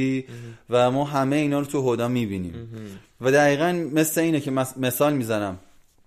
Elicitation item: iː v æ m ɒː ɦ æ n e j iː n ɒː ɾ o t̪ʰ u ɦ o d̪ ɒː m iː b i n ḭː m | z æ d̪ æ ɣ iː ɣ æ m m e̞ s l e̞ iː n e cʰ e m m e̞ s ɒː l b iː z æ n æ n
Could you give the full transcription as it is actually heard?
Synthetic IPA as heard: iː v æ m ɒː ɦ æ m e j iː n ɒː ɾ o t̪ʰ u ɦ o d̪ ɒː m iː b i n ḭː m | v æ d̪ æ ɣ iː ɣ æ n m e̞ s l e̞ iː n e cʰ e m m e̞ s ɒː l m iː z æ n æ m